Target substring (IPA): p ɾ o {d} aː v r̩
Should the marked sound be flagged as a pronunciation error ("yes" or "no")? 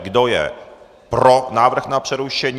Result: yes